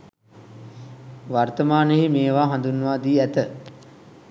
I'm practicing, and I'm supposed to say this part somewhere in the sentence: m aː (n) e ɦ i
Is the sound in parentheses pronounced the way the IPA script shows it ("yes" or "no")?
yes